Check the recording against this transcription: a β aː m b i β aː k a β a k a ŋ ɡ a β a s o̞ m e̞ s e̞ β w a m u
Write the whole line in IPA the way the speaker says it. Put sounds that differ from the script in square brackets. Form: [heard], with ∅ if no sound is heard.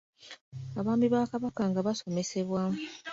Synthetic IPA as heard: a β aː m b i β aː k a β a k a ŋ ɡ a β a s o̞ m e̞ s e̞ β w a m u